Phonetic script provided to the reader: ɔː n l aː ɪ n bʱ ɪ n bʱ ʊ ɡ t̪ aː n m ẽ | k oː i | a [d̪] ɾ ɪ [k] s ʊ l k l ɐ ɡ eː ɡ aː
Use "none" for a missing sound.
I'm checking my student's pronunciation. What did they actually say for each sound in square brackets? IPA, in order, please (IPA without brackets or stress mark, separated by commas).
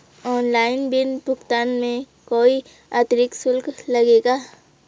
t̪, k